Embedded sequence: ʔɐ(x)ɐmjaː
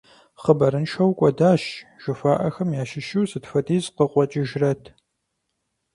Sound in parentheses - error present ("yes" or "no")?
no